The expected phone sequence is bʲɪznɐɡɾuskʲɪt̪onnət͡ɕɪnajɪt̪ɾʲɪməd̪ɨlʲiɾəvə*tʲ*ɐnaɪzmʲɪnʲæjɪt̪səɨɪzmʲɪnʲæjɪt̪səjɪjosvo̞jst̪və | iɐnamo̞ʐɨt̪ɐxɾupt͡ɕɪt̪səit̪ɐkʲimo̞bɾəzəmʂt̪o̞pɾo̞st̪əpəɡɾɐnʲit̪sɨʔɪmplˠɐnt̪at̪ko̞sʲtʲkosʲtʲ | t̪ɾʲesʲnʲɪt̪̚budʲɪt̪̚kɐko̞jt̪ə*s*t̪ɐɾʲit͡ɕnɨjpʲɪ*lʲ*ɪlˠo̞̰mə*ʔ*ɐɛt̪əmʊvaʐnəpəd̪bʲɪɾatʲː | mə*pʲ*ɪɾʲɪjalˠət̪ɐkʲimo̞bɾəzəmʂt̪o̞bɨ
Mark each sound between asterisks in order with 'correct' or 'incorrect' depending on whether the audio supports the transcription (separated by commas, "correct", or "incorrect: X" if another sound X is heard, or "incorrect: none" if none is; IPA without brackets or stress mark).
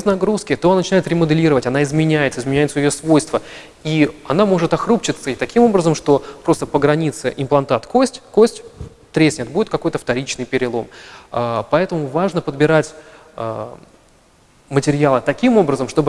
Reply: correct, incorrect: f, incorrect: ɾʲ, incorrect: p, incorrect: tʲ